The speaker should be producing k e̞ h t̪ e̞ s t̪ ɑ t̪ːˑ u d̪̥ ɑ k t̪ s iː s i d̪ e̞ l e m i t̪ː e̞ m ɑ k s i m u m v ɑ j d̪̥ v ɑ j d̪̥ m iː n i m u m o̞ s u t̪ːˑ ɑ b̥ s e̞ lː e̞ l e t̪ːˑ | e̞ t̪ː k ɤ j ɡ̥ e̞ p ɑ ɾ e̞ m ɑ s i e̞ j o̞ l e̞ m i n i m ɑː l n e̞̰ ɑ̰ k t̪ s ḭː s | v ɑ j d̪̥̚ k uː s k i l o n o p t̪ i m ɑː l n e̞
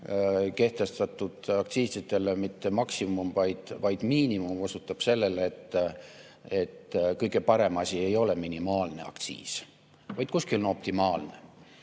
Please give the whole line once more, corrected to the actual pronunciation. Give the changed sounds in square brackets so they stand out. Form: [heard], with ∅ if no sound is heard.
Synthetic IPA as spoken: k e̞ h t̪ e̞ s t̪ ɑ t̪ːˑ u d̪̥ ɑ k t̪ s iː s i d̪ e̞ l e m i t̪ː e̞ m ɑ k s i m u m v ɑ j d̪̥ v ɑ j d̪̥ m iː n i m u m o̞ s u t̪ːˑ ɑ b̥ s e̞ lː e̞ l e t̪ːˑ | e̞ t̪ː k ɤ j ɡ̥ e̞ p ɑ ɾ e̞ m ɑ s i e̞ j o̞ l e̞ m i n i m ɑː l n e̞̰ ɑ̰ k t̪ s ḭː s | v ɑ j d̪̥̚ k [u] s k i l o n o p t̪ i m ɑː l n e̞